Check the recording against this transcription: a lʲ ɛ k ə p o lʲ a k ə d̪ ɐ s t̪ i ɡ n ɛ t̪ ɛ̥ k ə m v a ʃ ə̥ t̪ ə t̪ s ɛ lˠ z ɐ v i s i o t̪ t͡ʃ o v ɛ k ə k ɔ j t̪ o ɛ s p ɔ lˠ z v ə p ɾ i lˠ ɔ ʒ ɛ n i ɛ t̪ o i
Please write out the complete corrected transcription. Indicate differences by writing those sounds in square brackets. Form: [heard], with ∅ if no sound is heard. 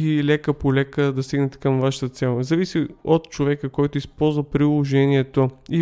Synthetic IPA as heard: [i] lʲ ɛ k ə p o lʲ [ɛ] k ə d̪ ɐ s t̪ i ɡ n ɛ t̪ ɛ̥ k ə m v a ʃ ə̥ t̪ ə t̪ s ɛ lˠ z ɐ v i s i o t̪ t͡ʃ o v ɛ k ə k ɔ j t̪ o [i] s p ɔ lˠ z v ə p ɾ i lˠ [o] ʒ ɛ n i ɛ t̪ o i